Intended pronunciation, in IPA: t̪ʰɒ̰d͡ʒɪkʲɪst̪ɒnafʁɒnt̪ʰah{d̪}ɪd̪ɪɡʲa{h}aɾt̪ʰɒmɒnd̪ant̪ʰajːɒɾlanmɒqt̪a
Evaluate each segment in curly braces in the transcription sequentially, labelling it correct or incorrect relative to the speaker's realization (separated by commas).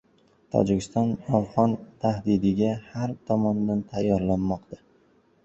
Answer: correct, correct